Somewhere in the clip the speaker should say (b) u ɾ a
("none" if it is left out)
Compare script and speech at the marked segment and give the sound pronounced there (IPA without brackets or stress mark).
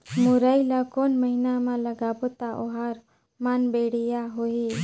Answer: m